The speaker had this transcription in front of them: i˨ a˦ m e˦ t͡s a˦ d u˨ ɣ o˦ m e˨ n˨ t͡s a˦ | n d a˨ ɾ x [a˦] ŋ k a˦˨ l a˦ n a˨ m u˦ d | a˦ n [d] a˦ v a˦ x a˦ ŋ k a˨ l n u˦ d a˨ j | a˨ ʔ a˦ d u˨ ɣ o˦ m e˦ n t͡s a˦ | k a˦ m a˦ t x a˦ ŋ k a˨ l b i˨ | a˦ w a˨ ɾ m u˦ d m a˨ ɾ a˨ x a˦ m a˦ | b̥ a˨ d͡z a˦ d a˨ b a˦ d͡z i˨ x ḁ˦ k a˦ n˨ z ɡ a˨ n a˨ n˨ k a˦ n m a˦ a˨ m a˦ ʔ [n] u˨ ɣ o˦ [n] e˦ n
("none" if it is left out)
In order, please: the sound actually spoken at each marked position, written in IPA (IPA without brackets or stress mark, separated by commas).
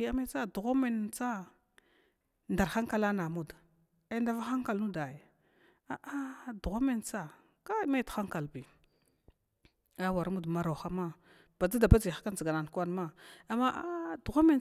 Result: a˦, d, d, m